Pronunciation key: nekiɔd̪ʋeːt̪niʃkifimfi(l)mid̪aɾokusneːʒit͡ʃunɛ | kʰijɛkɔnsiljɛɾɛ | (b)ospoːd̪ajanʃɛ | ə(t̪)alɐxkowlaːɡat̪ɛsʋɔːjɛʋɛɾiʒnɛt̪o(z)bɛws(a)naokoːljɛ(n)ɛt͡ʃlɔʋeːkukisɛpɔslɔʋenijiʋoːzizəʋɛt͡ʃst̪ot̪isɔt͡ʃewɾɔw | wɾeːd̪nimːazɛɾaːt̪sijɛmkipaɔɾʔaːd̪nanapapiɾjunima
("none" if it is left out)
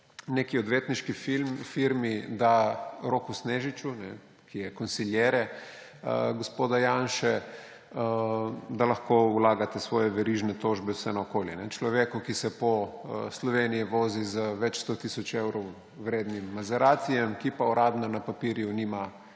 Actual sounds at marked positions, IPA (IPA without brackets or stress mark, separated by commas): ɾ, ɡ, d̪, ʒ, ɛ, n